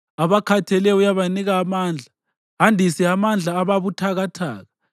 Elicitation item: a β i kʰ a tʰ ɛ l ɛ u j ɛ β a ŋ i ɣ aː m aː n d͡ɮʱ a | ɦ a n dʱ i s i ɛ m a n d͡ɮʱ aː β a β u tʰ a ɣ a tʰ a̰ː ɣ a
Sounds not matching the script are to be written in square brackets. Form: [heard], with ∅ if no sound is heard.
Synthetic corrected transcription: a β [a] kʰ a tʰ ɛ l ɛ u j [a] β a [n] i ɣ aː m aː n d͡ɮʱ a | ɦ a n dʱ i s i [a] m a n d͡ɮʱ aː β a β u tʰ a ɣ a tʰ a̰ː ɣ a